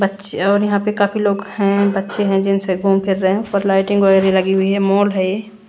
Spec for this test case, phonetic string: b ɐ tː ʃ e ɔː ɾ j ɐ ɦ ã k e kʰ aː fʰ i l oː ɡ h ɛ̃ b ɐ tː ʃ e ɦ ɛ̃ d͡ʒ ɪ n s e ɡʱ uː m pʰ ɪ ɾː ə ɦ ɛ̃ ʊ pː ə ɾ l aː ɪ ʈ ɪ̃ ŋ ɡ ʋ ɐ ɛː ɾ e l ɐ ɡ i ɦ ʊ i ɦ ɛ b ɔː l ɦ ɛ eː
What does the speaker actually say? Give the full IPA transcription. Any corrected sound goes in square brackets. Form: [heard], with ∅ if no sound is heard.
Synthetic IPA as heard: b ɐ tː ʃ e ɔː ɾ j ɐ ɦ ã [p] e [k] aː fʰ i l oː ɡ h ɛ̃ b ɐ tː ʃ e ɦ ɛ̃ d͡ʒ ɪ n s e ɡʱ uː m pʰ ɪ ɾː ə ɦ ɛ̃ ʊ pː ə ɾ l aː ɪ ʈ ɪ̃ ŋ ɡ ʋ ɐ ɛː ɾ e l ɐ ɡ i ɦ ʊ i ɦ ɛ [m] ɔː l ɦ ɛ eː